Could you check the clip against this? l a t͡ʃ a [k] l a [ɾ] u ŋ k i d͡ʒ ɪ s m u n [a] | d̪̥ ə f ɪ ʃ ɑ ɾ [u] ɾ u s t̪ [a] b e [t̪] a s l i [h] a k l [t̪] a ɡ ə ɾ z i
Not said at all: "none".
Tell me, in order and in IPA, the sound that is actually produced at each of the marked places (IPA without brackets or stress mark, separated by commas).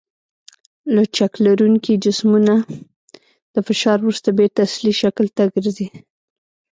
k, ɾ, a, w, a, t̪, ʃ, t̪